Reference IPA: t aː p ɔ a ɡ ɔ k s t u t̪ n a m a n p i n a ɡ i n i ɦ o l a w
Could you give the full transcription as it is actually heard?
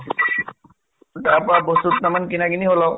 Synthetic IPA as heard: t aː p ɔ a b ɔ s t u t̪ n a m a n k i n a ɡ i n i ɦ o l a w